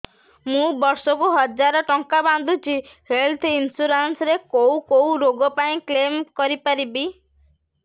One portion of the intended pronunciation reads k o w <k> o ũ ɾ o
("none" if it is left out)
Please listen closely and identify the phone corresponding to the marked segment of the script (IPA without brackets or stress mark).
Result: k